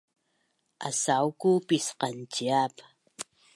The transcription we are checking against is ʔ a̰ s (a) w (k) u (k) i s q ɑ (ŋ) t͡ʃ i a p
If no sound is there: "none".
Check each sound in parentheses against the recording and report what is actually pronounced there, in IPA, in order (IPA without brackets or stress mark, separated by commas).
a, k, p, n